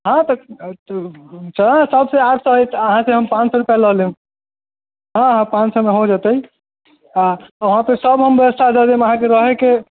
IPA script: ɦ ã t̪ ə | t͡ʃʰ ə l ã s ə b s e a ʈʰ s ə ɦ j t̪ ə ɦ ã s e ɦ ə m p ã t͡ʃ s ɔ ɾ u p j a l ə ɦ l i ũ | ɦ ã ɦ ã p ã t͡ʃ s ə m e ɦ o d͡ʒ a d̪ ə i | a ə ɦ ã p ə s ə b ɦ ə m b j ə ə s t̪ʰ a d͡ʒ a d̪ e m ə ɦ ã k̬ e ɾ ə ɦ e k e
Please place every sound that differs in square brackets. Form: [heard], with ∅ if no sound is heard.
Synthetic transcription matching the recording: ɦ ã t̪ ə | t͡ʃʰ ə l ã s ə b s e a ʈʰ s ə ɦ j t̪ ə ɦ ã s e ɦ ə m p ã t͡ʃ s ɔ ɾ u p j a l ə ɦ l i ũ | ɦ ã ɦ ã p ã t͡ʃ s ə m e ɦ o d͡ʒ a [t̪] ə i | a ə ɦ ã p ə s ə b ɦ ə m b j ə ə s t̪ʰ a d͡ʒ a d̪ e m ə ɦ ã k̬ e ɾ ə ɦ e k e